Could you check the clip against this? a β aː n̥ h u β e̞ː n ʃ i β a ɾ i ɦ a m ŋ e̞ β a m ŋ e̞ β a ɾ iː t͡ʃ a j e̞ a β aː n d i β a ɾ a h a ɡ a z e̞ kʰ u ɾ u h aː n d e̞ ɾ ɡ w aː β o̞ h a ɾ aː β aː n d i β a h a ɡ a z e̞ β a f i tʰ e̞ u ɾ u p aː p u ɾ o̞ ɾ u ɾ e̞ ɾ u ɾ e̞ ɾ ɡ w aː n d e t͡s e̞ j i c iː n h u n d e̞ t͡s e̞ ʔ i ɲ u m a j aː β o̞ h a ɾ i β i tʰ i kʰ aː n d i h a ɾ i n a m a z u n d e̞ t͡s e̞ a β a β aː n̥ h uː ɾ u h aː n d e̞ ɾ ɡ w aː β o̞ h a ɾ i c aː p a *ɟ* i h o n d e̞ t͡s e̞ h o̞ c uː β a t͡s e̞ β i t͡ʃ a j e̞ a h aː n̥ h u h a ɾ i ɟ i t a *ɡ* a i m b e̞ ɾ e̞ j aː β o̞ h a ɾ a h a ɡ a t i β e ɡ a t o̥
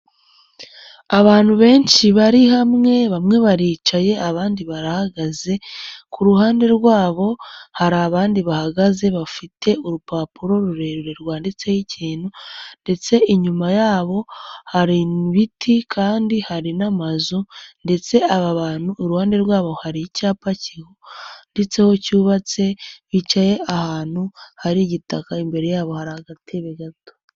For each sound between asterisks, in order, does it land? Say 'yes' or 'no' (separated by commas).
no, no